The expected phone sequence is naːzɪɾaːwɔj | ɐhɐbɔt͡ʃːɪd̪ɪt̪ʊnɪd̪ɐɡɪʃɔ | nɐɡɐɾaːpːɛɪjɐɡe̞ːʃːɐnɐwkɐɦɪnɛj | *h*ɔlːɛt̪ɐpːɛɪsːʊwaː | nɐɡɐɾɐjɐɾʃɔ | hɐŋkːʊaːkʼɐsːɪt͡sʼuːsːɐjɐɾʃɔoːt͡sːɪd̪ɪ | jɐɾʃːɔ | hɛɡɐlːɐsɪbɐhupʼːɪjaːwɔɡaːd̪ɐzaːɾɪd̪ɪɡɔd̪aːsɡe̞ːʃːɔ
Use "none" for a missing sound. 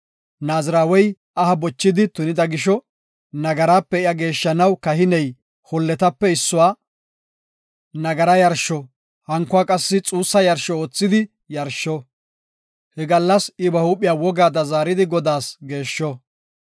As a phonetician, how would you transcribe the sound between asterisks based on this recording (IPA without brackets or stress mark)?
h